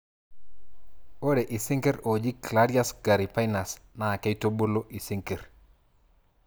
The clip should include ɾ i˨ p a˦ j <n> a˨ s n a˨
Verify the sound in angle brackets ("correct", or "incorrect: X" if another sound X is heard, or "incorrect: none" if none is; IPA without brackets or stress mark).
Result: correct